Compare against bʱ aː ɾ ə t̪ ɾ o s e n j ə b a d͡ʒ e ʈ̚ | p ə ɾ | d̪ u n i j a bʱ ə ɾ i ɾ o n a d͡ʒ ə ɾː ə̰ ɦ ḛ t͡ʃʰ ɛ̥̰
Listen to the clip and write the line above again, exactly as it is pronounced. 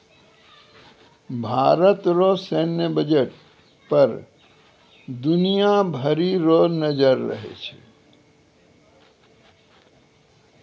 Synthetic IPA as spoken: bʱ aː ɾ ə t̪ ɾ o s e n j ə b ə d͡ʒ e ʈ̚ | p ə ɾ | d̪ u n i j a bʱ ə ɾ i ɾ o n ə d͡ʒ ə ɾː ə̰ ɦ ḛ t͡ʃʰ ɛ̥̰